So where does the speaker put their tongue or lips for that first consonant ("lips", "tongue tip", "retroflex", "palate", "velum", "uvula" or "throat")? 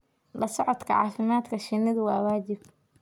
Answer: tongue tip